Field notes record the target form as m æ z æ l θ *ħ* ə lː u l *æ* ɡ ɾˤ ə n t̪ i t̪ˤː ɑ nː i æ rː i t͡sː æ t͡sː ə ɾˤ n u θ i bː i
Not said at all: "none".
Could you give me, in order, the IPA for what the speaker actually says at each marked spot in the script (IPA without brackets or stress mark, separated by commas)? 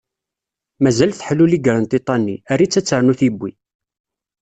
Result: ħ, i